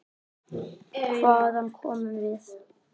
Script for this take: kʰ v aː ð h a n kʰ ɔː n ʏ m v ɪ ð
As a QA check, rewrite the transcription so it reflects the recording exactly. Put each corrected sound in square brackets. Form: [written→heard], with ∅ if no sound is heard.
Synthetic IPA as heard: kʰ v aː ð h a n kʰ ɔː [n→m] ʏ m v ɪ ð